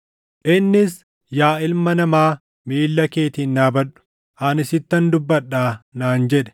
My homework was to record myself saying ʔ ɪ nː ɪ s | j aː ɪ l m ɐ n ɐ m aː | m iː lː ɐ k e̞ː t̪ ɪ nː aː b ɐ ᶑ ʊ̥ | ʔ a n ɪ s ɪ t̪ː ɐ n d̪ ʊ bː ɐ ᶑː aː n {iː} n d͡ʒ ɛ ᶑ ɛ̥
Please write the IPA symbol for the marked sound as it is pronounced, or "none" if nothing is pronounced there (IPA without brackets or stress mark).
aː